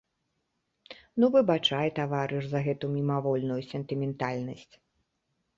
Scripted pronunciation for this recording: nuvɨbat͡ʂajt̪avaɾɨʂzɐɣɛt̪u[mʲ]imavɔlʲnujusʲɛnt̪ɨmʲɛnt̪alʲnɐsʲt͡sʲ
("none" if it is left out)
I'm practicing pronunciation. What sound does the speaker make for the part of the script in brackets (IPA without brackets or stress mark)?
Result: mʲ